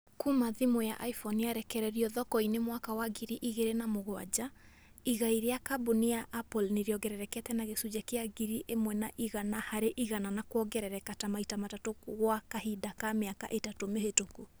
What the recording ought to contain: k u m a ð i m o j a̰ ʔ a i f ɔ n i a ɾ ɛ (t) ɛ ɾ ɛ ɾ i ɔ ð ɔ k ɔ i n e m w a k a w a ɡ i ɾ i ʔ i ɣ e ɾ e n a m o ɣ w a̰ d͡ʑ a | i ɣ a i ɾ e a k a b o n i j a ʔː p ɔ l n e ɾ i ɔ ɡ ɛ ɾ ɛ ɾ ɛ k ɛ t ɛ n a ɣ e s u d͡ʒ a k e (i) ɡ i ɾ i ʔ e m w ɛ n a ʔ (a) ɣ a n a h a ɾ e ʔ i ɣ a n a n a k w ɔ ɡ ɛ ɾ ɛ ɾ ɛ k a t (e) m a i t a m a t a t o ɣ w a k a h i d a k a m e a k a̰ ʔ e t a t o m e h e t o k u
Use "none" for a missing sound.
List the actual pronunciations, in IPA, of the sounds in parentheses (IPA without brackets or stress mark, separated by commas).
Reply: k, a, i, a